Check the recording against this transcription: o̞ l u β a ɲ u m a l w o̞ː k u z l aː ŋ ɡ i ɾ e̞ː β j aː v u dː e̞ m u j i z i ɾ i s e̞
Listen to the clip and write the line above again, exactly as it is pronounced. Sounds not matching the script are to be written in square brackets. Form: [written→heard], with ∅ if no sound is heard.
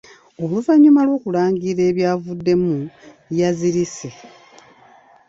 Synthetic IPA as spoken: o̞ l u [β→v] a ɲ u m a l w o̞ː k u [z→∅] l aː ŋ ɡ i ɾ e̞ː β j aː v u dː e̞ m u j [i→a] z i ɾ i s e̞